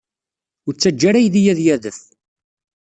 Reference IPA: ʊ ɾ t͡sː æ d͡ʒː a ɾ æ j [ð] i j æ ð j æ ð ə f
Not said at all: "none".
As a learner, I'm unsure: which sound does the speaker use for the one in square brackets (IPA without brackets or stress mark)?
ð